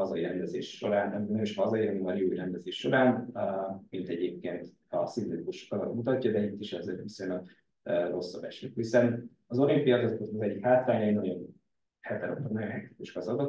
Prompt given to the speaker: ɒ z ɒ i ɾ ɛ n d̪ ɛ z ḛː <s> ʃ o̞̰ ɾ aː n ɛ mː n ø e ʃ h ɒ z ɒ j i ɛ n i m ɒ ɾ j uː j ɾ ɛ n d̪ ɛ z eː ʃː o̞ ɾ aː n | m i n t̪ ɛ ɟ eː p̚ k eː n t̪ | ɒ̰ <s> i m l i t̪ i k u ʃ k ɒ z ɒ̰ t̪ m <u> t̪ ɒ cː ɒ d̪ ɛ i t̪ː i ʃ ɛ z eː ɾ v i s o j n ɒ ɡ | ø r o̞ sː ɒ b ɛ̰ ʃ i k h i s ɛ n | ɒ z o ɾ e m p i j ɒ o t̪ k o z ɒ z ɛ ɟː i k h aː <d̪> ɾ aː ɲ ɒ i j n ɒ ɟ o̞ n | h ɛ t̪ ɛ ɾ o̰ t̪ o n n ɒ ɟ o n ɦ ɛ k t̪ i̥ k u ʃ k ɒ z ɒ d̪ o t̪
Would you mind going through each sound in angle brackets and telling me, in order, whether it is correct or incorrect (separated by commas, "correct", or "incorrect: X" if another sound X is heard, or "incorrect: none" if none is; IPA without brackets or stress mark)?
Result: incorrect: ʃ, correct, correct, incorrect: t̪